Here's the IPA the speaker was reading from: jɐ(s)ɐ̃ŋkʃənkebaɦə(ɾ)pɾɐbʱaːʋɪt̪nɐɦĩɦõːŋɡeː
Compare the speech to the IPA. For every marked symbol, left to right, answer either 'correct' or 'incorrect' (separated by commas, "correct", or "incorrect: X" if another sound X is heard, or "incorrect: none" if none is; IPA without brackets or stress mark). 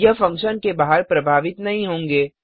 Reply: incorrect: f, correct